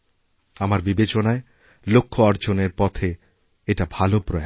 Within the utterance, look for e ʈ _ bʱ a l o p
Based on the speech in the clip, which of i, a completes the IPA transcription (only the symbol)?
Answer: a